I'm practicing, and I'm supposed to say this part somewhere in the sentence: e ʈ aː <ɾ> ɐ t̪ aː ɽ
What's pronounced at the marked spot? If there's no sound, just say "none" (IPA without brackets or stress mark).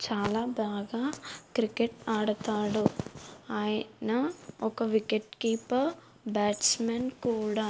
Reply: ɽ